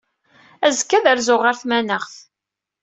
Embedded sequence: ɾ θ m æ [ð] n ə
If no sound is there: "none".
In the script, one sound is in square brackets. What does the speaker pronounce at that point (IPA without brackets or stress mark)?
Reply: none